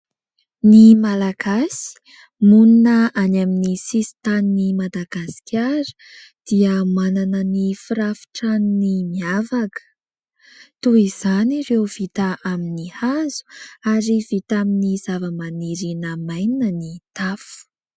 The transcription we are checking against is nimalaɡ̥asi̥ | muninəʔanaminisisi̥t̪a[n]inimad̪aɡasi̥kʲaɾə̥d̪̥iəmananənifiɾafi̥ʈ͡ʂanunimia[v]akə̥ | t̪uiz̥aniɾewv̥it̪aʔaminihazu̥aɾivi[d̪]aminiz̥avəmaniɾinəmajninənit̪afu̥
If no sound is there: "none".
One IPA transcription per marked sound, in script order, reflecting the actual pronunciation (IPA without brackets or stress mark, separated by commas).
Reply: n, v, t̪